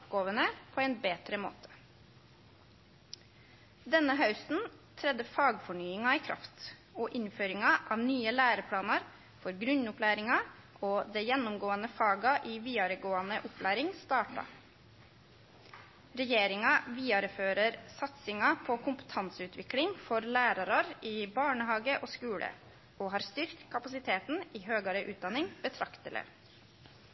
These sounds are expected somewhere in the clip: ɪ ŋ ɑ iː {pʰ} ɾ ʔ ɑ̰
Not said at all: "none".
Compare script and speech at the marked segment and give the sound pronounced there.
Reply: kʰ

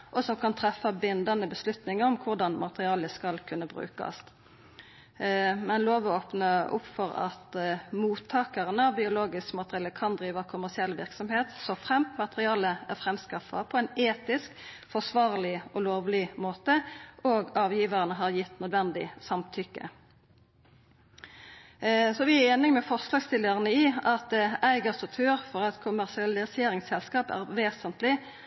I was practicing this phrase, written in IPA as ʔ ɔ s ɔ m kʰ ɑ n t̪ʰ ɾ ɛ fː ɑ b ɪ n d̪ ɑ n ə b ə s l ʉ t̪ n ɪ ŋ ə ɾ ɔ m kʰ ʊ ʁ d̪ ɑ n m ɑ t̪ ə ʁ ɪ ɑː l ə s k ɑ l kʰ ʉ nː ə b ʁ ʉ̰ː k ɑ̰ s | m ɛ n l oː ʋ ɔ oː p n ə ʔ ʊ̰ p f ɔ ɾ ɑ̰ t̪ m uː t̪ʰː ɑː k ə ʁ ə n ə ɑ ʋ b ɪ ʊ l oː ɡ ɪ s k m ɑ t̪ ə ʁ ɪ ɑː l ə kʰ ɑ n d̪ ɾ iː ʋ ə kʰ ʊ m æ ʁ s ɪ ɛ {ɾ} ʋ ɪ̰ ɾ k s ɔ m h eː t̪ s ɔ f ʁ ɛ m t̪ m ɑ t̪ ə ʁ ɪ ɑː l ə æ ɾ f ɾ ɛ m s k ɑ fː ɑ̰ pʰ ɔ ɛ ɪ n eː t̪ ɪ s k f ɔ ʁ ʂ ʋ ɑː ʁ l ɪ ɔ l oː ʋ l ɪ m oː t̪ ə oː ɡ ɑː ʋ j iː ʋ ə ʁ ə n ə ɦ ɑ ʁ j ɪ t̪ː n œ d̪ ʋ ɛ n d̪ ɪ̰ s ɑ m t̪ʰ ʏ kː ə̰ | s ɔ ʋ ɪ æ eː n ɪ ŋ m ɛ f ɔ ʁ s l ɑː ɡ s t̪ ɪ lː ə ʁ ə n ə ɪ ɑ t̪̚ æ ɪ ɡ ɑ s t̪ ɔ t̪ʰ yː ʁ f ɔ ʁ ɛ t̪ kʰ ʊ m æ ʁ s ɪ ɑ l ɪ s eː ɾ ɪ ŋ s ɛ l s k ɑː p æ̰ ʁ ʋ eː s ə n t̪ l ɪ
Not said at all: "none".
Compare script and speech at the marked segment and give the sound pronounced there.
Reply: l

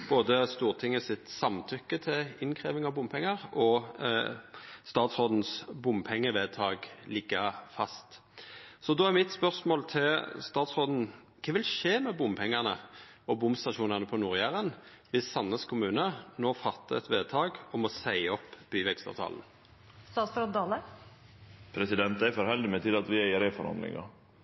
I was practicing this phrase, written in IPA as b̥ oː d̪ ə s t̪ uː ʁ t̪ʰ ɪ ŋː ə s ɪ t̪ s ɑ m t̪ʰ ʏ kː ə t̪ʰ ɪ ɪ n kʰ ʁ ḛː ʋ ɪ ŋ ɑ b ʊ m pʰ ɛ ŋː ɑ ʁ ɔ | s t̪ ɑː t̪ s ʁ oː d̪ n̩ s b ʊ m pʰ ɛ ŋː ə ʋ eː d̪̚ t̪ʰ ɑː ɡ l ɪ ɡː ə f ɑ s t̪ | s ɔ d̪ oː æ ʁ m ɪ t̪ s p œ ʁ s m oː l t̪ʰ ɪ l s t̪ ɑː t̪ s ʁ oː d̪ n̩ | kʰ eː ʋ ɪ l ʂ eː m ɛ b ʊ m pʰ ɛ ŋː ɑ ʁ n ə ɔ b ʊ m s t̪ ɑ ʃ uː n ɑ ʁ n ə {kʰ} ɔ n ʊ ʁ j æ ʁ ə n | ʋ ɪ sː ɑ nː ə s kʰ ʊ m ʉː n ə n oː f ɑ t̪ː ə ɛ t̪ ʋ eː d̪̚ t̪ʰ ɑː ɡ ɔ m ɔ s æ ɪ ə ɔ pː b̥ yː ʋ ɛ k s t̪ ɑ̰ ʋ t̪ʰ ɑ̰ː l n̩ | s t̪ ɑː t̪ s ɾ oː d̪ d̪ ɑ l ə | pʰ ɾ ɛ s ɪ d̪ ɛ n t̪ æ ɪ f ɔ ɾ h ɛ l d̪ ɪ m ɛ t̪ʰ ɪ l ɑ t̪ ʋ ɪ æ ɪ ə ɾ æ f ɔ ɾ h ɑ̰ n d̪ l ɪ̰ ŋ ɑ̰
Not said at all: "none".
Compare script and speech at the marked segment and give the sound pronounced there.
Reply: pʰ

